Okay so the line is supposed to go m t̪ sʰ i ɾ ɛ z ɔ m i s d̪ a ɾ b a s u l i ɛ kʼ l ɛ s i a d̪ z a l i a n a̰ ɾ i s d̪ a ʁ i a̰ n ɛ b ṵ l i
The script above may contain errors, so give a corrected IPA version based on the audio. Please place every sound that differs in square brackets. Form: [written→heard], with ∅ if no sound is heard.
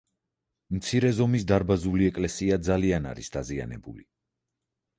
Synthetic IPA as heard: m t̪ sʰ i ɾ ɛ z ɔ m i s d̪ a ɾ b a [s→z] u l i ɛ kʼ l ɛ s i a d̪ z a l i a n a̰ ɾ i s d̪ a [ʁ→z] i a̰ n ɛ b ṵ l i